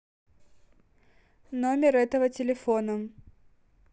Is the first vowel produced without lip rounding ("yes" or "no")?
no